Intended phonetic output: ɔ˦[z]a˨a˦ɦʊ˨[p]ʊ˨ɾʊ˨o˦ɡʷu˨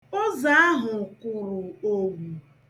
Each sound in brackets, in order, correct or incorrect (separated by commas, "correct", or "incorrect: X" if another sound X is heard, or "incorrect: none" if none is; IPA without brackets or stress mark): correct, incorrect: k